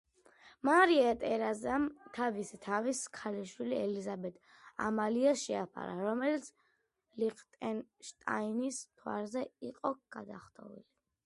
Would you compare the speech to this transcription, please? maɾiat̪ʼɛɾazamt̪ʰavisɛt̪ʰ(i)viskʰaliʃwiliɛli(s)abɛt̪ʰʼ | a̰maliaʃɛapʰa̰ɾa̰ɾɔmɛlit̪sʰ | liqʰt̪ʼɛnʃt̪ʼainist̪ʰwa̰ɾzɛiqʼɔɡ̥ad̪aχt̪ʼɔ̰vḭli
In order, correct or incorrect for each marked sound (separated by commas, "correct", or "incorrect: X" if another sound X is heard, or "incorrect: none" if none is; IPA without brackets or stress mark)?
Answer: incorrect: a, incorrect: z